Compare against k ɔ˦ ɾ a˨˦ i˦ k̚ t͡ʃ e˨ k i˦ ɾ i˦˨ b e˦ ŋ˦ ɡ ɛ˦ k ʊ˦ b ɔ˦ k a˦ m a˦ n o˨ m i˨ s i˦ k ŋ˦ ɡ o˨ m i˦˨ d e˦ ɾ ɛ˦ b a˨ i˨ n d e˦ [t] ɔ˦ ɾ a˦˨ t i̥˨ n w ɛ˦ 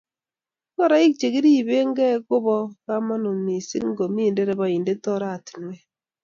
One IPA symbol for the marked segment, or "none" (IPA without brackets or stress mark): t